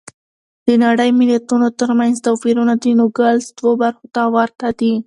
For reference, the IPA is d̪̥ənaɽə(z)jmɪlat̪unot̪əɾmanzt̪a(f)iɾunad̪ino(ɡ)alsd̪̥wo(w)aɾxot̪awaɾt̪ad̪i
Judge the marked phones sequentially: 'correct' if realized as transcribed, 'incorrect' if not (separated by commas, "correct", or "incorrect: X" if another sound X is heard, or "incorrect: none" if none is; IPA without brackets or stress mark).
incorrect: none, correct, correct, incorrect: b